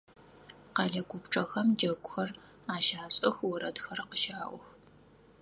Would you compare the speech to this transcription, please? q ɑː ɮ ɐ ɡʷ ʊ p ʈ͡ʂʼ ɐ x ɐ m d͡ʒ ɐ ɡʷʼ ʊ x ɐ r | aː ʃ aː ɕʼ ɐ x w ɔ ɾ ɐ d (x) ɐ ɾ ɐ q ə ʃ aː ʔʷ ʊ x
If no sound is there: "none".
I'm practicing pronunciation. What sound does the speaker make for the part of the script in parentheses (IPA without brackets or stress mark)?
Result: x